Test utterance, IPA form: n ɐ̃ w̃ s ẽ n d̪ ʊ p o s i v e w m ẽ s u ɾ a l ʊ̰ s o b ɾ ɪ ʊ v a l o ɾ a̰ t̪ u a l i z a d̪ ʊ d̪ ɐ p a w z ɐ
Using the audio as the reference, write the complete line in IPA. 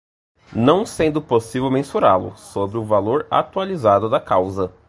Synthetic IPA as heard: n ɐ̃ w̃ s ẽ n d̪ ʊ p o s i v e w m ẽ s u ɾ a l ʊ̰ s o b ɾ ɪ ʊ v a l o ɾ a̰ t̪ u a l i z a d̪ ʊ d̪ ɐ k a w z ɐ